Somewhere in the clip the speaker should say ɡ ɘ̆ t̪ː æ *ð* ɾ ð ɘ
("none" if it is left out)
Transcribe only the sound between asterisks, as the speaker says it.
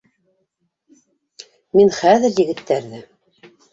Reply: none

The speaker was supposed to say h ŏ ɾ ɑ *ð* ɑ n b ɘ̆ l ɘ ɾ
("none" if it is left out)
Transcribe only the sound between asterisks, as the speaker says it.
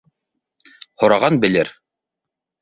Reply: ʁ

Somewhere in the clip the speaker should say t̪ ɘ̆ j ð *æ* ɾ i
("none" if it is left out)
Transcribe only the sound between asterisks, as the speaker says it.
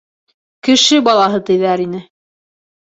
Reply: æ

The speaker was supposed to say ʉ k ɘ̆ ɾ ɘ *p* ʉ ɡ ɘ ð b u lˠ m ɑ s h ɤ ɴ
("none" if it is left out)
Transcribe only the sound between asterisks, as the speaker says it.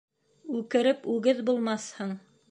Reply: p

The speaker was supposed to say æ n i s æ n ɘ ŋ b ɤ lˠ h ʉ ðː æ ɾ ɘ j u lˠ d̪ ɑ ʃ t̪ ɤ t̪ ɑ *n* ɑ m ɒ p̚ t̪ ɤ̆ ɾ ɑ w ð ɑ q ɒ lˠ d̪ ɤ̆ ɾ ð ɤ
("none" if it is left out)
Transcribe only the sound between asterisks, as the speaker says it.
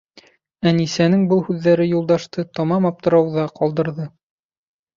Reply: m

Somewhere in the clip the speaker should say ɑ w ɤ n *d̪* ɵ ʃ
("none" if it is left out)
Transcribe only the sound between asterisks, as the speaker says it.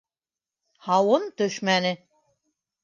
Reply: t̪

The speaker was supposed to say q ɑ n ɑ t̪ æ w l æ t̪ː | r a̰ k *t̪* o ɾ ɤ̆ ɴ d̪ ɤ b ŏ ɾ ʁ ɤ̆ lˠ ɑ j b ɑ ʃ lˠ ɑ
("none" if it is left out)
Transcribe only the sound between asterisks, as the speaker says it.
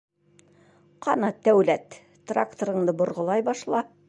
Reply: t̪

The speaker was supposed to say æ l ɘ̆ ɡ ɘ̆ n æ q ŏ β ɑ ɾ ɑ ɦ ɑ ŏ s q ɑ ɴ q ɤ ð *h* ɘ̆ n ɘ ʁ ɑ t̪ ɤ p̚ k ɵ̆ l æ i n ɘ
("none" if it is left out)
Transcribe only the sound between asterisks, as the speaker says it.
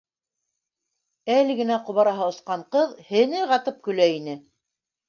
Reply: h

